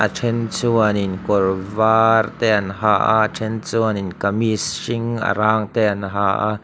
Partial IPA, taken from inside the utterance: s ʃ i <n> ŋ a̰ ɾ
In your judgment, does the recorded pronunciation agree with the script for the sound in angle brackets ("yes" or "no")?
no